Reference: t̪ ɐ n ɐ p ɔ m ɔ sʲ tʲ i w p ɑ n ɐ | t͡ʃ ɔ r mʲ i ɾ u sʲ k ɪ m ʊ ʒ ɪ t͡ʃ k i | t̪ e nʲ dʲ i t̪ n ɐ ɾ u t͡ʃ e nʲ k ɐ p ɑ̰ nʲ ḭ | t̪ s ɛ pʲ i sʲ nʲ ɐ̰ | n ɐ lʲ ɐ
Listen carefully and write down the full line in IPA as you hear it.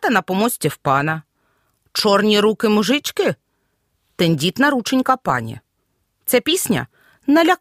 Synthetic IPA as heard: t̪ ɐ n ɐ p ɔ m ɔ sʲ tʲ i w p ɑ n ɐ | t͡ʃ ɔ r nʲ i ɾ u k ɪ m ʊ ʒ ɪ t͡ʃ k ɪ | t̪ e nʲ dʲ i t̪ n ɐ ɾ u t͡ʃ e nʲ k ɐ p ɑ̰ nʲ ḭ | t̪ s ɛ pʲ i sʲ nʲ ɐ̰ | n ɐ lʲ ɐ